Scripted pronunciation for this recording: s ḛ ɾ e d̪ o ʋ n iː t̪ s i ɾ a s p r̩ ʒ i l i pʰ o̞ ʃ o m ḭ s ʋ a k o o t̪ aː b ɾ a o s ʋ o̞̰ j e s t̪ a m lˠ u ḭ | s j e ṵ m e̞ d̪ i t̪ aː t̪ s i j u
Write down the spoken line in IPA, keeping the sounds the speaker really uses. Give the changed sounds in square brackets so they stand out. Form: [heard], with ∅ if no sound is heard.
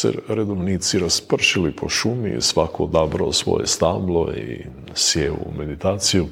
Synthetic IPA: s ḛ ɾ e d̪ o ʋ n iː t̪ s i ɾ a s p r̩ [ʃ] i l i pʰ o̞ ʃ [u] m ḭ s ʋ a k o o [d̪] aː b ɾ a o s ʋ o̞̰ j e s t̪ a m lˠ [o] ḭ | s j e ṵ m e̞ d̪ i t̪ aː t̪ s i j u